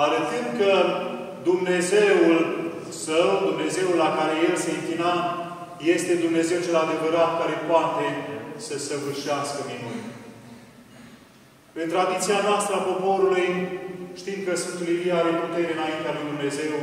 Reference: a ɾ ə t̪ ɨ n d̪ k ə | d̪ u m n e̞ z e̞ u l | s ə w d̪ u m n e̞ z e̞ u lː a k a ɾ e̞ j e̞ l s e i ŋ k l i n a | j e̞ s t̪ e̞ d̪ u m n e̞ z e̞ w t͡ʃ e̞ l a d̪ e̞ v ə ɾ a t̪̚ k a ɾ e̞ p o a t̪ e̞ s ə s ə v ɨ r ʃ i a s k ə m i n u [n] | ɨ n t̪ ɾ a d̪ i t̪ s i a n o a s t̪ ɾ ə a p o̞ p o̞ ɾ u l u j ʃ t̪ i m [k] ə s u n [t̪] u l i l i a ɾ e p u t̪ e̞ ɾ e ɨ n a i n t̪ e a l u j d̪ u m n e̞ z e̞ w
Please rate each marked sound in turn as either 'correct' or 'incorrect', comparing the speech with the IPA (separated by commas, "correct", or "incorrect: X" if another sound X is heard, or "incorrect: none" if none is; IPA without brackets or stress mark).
correct, correct, correct